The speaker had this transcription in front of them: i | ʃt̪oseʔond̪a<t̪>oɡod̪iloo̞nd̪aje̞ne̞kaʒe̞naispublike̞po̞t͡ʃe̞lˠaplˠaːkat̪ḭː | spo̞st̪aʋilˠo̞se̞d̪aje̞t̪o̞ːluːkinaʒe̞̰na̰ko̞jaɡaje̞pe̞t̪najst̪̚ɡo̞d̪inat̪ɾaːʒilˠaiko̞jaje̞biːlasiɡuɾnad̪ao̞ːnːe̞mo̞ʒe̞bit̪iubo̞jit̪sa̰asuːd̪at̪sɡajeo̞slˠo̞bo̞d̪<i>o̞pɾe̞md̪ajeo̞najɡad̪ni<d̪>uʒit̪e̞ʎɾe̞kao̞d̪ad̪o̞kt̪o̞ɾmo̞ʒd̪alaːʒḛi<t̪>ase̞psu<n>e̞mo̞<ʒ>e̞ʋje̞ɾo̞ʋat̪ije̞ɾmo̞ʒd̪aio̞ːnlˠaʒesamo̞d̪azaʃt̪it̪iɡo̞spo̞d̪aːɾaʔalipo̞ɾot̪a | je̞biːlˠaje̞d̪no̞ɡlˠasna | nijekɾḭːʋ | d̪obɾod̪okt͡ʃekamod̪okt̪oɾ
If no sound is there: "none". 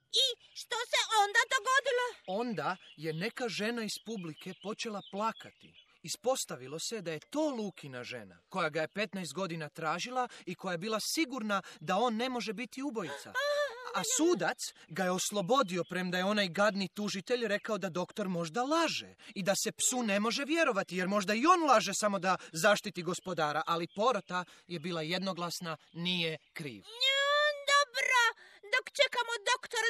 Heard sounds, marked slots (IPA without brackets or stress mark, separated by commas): d̪, i, t̪, d̪, n, ʒ